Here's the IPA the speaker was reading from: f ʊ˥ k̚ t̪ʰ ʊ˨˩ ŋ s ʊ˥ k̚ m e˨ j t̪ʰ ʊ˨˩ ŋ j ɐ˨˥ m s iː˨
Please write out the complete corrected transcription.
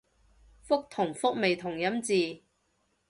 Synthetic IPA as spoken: f ʊ˥ k̚ t̪ʰ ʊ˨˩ ŋ f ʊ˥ k̚ m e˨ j t̪ʰ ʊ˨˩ ŋ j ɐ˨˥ m t͡s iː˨